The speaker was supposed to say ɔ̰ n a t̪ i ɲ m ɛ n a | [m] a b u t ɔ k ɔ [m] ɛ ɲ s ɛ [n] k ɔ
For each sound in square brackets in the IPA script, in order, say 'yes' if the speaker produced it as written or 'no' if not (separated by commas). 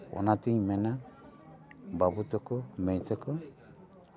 no, yes, no